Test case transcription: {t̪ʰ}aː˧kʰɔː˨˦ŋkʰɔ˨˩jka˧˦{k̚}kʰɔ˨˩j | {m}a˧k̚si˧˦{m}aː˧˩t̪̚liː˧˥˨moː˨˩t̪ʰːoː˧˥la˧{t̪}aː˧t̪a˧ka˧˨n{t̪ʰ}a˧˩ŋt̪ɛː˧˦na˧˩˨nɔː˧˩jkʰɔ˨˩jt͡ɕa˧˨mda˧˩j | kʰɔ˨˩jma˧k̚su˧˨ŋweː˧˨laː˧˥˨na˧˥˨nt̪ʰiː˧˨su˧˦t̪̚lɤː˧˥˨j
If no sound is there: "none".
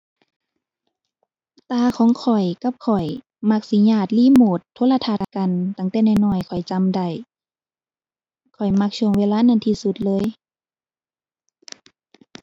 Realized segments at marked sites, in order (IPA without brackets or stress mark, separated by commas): t̪, p̚, m, ɲ, t̪ʰ, t̪